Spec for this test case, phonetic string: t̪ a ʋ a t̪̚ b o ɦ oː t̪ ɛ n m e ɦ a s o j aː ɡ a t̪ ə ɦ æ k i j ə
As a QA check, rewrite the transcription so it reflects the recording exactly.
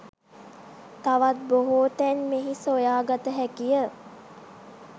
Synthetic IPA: t̪ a ʋ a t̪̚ b o ɦ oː t̪ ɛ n m e ɦ i s o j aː ɡ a t̪ ə ɦ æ k i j ə

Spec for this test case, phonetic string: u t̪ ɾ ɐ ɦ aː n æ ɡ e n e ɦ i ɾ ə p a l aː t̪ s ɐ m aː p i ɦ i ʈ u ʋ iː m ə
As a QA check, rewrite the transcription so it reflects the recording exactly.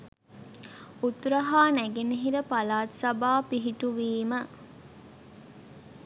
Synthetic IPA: u t̪ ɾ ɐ ɦ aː n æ ɡ e n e ɦ i ɾ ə p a l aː t̪ s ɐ b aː p i ɦ i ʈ u ʋ iː m ə

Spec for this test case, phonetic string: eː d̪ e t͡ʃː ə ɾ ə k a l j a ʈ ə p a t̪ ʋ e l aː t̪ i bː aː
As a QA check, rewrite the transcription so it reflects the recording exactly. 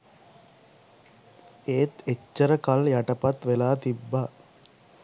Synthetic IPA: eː t̪ e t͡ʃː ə ɾ ə k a l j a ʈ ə p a t̪ ʋ e l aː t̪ i bː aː

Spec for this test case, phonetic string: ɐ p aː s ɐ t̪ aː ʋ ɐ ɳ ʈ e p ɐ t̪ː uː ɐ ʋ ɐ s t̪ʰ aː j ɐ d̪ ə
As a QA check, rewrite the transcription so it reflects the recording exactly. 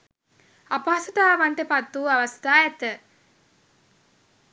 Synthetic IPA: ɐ p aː s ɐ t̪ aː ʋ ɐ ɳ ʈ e p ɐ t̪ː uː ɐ ʋ ɐ s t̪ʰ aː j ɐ t̪ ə

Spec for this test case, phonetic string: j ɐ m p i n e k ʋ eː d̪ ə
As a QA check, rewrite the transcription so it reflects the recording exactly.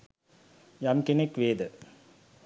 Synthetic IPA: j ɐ m k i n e k ʋ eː d̪ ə

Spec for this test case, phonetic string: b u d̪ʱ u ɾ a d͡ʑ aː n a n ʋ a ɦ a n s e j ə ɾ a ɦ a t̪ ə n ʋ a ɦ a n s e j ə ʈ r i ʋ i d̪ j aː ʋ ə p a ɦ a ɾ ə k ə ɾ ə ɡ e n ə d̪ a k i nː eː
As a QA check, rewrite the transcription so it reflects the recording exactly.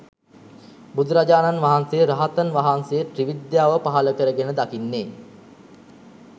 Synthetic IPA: b u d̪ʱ u ɾ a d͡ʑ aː n a n ʋ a ɦ a n s e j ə ɾ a ɦ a t̪ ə n ʋ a ɦ a n s e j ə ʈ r i ʋ i d̪ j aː ʋ ə p a ɦ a l ə k ə ɾ ə ɡ e n ə d̪ a k i nː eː

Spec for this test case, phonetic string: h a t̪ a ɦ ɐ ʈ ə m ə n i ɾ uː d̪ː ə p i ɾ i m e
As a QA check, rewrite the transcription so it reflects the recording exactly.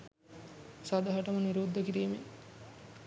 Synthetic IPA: s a d̪ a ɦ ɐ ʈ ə m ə n i ɾ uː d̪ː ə k i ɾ iː m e

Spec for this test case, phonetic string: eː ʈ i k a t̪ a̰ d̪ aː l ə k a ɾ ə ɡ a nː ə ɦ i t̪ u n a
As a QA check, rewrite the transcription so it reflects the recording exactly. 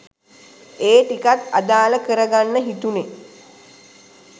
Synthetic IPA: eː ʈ i k a t̪ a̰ d̪ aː l ə k ə ɾ ə ɡ a nː ə ɦ i t̪ u n e

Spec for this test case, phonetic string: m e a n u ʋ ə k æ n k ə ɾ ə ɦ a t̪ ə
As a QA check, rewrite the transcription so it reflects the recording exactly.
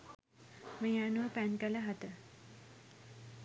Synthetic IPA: m e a n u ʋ ə p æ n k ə l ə ɦ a t̪ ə

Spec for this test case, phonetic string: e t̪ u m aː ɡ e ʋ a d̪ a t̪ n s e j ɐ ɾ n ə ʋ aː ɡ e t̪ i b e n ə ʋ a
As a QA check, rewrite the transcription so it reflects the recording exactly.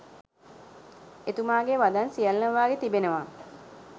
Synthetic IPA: e t̪ u m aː ɡ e ʋ a d̪ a n s i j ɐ l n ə ʋ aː ɡ e t̪ i b e n ə ʋ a

